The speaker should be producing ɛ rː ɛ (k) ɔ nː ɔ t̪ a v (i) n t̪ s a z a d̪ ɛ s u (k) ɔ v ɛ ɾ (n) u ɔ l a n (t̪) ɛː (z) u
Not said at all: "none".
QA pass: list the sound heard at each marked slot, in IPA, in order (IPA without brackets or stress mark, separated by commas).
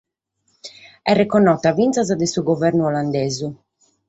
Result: k, i, ɡ, n, d̪, z